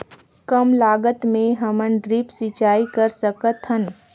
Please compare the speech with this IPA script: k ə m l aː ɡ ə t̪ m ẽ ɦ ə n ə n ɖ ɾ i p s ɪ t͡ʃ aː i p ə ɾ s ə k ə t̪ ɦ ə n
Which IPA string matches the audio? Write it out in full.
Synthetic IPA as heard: k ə m l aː ɡ ə t̪ m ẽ ɦ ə m ə n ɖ ɾ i p s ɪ t͡ʃ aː i k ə ɾ s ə k ə t̪ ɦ ə n